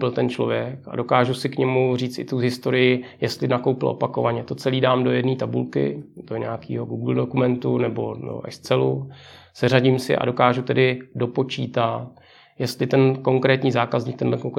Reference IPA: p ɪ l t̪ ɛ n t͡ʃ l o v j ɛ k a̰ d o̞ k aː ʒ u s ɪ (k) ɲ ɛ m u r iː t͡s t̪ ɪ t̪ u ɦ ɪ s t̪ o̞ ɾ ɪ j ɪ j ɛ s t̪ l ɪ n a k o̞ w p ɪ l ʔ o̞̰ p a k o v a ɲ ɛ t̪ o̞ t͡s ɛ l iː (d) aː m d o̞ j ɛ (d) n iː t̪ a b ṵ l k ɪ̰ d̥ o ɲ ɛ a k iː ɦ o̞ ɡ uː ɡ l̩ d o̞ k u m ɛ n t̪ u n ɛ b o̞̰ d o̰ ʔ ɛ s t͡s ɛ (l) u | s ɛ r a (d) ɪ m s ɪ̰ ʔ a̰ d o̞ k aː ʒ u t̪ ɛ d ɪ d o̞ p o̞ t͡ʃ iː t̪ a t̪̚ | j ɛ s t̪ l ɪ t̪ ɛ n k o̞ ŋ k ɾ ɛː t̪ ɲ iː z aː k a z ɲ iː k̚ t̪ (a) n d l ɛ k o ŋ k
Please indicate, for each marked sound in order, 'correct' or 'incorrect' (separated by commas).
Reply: correct, correct, correct, correct, incorrect, incorrect